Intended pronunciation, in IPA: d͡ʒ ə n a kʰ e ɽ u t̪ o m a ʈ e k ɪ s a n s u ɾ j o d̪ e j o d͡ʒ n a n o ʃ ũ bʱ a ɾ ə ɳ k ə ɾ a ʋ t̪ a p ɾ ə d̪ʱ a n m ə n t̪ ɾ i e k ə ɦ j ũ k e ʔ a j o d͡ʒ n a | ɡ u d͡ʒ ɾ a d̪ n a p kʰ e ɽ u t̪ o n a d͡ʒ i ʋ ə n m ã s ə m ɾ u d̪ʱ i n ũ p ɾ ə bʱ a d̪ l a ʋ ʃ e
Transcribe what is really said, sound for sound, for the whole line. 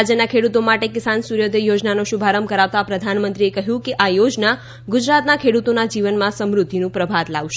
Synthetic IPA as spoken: d͡ʒ ə n a kʰ e ɽ u t̪ o m a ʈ e k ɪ s a n s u ɾ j o d̪ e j o d͡ʒ n a n o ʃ u bʱ a ɾ ə m k ə ɾ a ʋ t̪ a p ɾ ə d̪ʱ a n m ə n t̪ ɾ i e k ə ɦ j ũ k e ʔ a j o d͡ʒ n a | ɡ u d͡ʒ ɾ a t̪ n a kʰ e ɽ u t̪ o n a d͡ʒ i ʋ ə n m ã s ə m ɾ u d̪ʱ i n ũ p ɾ ə bʱ a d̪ l a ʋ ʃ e